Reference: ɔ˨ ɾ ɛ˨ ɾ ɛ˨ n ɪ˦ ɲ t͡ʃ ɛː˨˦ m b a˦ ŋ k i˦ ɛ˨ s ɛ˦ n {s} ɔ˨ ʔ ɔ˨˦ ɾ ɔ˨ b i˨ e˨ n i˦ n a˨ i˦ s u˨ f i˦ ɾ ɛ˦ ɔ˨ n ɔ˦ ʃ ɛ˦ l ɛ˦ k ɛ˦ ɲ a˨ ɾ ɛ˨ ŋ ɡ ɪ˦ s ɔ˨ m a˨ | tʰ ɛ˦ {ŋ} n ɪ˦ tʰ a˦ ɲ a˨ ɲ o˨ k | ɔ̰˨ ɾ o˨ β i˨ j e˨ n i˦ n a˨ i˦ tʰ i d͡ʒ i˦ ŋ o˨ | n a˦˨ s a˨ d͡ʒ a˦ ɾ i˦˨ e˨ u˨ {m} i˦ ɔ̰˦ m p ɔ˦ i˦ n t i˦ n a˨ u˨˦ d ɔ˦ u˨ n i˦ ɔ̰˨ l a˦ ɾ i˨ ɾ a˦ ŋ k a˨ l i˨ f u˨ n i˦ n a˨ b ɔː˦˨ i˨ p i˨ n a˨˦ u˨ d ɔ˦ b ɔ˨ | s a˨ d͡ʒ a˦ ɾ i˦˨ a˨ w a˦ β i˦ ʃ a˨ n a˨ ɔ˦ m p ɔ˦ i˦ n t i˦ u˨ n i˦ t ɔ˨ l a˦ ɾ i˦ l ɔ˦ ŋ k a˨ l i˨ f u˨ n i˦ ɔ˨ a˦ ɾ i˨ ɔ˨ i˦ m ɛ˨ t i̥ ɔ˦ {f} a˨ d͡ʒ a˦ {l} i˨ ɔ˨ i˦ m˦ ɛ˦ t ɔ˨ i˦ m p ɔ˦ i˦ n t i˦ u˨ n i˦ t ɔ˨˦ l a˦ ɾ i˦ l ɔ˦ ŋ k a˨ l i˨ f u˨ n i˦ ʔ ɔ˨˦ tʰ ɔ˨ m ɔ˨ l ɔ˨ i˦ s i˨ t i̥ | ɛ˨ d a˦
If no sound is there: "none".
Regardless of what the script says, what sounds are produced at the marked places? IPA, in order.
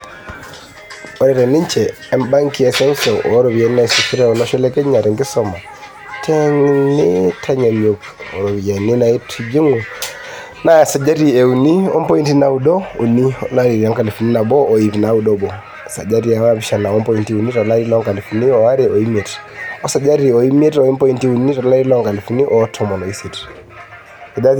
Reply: s, ŋ, n, s, ɾ

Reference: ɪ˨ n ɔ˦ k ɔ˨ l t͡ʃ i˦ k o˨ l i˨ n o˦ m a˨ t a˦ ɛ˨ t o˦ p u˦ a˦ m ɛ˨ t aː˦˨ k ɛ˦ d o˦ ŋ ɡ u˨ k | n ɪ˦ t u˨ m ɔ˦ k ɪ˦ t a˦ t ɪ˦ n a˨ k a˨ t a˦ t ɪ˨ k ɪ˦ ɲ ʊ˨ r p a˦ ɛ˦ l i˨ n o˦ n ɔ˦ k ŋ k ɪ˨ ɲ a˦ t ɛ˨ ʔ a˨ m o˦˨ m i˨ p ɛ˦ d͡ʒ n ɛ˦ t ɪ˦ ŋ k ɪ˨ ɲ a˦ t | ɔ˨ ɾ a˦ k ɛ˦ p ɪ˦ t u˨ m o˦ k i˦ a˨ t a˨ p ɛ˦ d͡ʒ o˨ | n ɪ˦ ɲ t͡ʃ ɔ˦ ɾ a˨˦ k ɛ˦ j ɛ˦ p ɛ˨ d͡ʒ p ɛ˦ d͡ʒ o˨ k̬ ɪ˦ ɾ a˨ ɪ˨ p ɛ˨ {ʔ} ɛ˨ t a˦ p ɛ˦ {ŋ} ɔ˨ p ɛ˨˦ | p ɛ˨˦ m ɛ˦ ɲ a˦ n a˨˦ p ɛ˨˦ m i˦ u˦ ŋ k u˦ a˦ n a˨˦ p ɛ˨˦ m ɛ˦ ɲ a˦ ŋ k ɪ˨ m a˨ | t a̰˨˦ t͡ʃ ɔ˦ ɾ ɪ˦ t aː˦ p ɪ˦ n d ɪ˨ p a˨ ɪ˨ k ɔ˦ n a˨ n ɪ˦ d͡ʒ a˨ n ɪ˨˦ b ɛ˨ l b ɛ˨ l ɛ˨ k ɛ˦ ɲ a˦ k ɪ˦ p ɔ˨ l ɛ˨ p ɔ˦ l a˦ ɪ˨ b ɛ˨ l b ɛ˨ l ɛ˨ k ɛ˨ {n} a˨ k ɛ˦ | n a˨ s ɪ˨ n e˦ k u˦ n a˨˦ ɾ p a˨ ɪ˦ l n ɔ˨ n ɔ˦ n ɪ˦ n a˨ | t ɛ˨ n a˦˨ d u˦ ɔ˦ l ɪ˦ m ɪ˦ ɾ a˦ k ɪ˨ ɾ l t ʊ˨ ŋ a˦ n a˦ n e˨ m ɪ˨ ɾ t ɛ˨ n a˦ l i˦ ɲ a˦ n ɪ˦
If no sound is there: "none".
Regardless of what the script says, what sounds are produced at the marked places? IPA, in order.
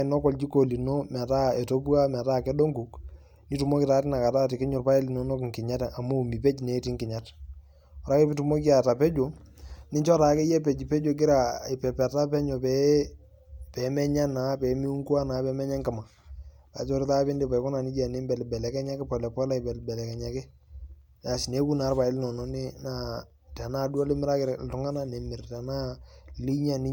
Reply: p, ɲ, ɲ

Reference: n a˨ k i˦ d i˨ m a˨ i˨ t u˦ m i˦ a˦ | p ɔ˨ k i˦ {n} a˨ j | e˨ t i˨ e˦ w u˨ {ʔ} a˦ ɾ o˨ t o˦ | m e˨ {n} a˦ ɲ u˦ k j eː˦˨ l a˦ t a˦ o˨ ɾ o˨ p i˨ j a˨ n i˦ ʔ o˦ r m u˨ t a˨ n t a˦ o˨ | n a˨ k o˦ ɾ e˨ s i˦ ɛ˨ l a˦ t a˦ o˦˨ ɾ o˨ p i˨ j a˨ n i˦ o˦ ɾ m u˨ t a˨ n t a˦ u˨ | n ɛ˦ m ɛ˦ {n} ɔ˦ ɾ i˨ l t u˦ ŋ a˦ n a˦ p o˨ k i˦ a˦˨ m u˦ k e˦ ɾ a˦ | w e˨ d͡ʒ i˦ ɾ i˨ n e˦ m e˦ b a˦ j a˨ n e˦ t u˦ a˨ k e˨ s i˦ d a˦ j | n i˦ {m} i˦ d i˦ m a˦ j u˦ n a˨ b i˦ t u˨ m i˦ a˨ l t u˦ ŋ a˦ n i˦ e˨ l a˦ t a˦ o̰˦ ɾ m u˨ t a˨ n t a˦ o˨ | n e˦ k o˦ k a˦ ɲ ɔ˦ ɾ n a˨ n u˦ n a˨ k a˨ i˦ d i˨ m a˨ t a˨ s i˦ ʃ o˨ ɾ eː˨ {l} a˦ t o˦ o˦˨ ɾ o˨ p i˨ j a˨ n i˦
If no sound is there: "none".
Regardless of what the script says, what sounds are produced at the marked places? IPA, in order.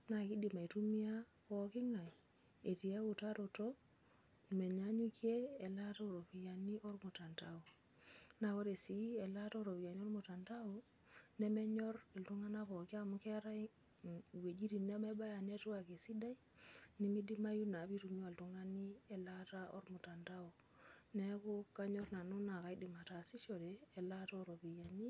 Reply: ŋ, t, ɲ, ɲ, m, l

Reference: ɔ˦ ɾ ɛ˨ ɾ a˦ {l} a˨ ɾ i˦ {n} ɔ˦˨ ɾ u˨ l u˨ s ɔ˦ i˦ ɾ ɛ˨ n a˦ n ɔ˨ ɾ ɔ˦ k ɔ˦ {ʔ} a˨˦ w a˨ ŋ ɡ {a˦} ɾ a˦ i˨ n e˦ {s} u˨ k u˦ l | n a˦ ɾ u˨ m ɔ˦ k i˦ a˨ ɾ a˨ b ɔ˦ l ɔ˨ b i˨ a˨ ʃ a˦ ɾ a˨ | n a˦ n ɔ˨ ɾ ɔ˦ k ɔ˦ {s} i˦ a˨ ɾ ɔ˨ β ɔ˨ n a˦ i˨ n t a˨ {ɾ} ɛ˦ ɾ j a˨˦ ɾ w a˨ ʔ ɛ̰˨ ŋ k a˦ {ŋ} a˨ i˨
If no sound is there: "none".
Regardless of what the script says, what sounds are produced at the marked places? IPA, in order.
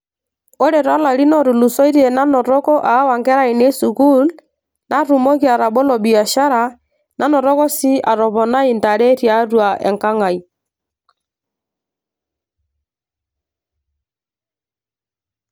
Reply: l, n, ʔ, ɛ˦, s, s, ɾ, ŋ

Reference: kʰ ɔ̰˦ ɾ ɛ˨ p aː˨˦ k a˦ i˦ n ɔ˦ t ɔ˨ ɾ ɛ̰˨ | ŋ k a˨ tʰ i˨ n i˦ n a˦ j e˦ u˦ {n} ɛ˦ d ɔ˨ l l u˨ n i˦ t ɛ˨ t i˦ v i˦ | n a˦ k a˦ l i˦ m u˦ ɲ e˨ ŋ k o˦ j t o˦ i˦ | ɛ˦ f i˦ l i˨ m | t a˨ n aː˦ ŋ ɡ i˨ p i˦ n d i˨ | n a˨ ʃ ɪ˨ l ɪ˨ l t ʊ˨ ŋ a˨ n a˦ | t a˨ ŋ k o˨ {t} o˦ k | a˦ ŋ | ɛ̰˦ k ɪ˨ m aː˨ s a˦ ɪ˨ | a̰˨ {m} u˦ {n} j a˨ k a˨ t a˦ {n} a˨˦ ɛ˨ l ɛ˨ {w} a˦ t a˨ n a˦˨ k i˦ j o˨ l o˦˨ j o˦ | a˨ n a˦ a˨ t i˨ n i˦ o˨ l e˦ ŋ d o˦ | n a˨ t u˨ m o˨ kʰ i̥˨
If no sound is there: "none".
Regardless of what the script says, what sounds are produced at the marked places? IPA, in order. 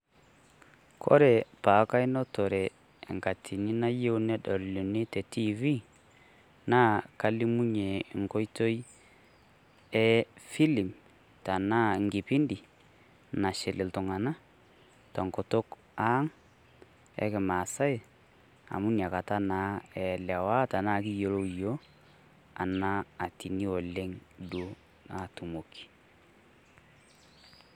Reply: n, t, m, n, n, w

